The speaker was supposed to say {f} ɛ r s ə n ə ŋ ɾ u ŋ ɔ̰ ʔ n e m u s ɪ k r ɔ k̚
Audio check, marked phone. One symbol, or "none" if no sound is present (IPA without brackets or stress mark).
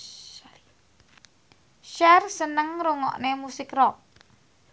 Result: ʃ